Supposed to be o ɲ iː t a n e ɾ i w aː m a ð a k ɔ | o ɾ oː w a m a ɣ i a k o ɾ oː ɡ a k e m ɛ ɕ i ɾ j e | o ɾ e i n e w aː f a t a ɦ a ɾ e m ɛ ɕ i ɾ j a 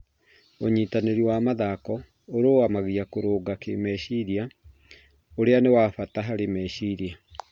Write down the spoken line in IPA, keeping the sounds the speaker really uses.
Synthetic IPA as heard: o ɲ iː t a n e ɾ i w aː m a ð a k ɔ | o ɾ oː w a m a ɣ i a k o ɾ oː ɡ a k e m ɛ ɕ i ɾ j a | o ɾ e a n e w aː f a t a ɦ a ɾ e m ɛ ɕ i ɾ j a